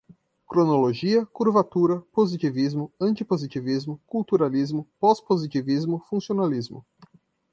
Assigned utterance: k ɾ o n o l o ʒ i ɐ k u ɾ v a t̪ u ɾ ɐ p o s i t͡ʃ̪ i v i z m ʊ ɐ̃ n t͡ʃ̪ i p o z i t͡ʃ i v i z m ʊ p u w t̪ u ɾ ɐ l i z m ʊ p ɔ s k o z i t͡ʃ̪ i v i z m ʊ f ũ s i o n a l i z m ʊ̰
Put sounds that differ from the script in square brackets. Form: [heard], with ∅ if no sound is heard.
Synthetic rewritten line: k ɾ o n o l o ʒ i ɐ k u ɾ v a t̪ u ɾ ɐ p o [z] i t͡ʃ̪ i v i z m ʊ ɐ̃ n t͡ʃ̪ i p o z i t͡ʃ i v i z m ʊ [k] u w t̪ u ɾ [a] l i z m ʊ p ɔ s [p] o z i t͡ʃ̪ i v i z m ʊ f ũ s i o n a l i z m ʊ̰